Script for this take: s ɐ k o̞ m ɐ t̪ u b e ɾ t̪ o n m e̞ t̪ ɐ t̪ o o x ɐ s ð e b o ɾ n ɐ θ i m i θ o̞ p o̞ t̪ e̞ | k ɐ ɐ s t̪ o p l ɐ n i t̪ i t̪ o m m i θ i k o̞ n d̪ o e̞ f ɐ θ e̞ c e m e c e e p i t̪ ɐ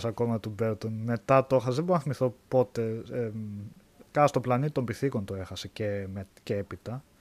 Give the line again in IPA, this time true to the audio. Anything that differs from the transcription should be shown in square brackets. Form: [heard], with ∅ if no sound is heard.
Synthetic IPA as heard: s ɐ k o̞ m ɐ t̪ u b e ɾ t̪ o n m e̞ t̪ ɐ t̪ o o x ɐ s ð e b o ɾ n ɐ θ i m i θ o̞ p o̞ t̪ e̞ | k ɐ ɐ s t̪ o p l ɐ n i t̪ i t̪ o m [b] i θ i k o̞ n [t̪] o e̞ [x] ɐ [s] e̞ c e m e c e e p i t̪ ɐ